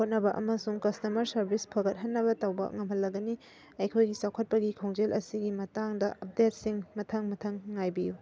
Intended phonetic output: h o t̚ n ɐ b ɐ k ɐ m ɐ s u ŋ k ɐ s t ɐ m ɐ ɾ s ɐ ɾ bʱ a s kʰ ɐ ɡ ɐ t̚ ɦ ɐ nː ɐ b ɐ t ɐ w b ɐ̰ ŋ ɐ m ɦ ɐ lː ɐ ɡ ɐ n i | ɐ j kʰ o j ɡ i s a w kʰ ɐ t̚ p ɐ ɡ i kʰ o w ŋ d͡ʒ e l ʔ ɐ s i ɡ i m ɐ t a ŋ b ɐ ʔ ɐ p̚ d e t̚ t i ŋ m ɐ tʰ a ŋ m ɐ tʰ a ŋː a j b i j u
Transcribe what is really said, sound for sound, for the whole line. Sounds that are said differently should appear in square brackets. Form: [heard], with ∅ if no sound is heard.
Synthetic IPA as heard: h o t̚ n ɐ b ɐ [ʔ] ɐ m ɐ s u ŋ k ɐ s t ɐ m ɐ ɾ s ɐ ɾ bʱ [i] s [pʰ] ɐ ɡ ɐ t̚ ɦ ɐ nː ɐ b ɐ t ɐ w b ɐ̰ ŋ ɐ m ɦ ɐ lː ɐ ɡ ɐ n i | ɐ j kʰ o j ɡ i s a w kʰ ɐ t̚ p ɐ ɡ i kʰ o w ŋ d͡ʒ e l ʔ ɐ s i ɡ i m ɐ t a ŋ [d] ɐ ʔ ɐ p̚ d e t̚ [s] i ŋ m ɐ tʰ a ŋ m ɐ tʰ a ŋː a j b i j u